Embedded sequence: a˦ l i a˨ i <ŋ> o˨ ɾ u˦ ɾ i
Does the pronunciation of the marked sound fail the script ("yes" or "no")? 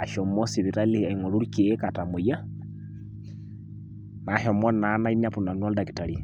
no